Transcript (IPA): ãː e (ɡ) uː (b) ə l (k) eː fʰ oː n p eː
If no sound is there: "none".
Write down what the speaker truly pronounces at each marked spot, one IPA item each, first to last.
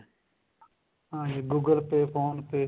ɡ, ɡ, p

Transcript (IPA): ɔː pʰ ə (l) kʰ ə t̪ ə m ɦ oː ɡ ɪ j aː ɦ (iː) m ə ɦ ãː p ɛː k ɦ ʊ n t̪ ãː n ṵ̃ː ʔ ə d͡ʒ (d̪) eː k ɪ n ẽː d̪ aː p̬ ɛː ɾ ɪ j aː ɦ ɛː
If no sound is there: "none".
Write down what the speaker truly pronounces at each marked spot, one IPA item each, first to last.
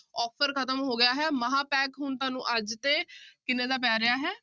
ɾ, ɛː, t̪

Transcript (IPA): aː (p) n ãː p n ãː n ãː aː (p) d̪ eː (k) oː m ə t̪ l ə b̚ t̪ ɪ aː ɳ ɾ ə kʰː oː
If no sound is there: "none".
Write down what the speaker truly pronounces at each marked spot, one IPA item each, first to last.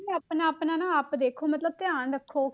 p, p, kʰ

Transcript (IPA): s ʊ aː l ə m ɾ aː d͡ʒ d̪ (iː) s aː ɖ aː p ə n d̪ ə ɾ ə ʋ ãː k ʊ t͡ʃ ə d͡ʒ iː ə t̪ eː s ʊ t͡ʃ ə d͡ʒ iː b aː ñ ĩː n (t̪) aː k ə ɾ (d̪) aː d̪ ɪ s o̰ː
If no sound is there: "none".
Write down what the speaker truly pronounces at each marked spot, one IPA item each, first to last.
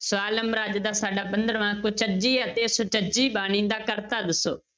aː, d̪, t̪

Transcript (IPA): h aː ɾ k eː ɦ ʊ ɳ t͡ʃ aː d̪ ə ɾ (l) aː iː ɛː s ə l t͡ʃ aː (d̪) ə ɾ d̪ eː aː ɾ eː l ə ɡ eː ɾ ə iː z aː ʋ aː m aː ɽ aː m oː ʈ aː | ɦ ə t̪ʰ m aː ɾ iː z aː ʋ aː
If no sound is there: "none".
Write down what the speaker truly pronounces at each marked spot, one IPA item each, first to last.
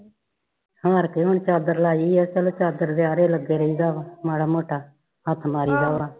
l, d̪

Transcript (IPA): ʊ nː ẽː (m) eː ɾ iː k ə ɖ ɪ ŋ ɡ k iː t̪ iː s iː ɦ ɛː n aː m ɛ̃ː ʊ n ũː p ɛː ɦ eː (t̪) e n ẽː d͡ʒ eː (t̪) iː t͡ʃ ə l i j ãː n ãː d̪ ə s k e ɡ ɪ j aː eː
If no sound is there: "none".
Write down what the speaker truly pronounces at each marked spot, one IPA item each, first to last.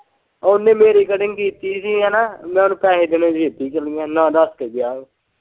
m, d̪, t̪

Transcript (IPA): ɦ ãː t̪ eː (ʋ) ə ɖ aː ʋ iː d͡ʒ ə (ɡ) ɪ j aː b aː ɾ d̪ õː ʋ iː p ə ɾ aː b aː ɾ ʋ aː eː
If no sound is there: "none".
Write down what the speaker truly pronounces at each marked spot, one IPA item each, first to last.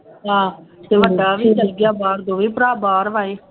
ʋ, ɡ

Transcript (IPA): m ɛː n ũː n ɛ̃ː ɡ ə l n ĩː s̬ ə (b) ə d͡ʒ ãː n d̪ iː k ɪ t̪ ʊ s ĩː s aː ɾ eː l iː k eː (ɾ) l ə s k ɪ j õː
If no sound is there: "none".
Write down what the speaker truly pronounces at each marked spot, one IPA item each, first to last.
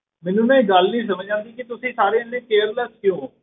m, ɾ

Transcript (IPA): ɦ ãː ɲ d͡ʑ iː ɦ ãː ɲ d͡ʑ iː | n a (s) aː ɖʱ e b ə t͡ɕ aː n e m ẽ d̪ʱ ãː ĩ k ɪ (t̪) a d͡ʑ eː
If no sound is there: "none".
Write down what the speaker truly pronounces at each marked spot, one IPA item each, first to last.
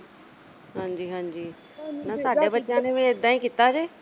s, t̪

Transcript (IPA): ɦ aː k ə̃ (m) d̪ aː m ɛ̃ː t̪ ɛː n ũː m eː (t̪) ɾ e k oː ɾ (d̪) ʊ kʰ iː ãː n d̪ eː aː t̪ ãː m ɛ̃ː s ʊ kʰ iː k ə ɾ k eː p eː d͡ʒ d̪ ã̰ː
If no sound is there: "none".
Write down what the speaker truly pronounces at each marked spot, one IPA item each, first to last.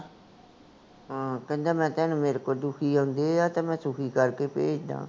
n, none, d̪

